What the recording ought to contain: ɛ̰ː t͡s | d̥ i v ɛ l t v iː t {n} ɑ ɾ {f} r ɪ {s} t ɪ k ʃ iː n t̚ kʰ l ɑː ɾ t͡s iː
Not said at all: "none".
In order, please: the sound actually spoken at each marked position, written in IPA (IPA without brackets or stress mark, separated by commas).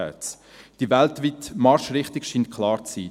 m, ʃ, χ